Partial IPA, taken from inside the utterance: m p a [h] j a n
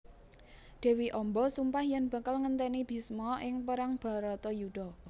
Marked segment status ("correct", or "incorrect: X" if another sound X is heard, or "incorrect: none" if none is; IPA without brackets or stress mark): correct